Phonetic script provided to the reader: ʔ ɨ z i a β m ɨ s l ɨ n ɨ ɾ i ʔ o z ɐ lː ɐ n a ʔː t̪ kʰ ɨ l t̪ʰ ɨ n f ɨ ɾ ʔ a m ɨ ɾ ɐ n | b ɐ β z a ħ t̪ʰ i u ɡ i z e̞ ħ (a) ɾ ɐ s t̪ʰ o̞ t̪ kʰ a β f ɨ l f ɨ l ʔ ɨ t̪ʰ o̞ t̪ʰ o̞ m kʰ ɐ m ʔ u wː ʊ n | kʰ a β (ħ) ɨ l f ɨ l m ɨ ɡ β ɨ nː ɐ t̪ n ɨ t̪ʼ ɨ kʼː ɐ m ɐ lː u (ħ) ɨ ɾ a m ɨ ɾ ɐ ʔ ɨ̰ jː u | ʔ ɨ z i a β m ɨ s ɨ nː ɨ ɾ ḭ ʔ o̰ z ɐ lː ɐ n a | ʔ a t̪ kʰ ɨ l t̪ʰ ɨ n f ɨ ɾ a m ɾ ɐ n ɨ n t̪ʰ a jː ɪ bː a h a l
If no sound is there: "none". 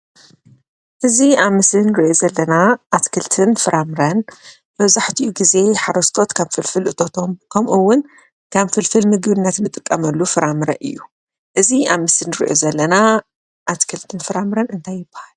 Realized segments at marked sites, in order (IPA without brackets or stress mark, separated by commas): a, f, f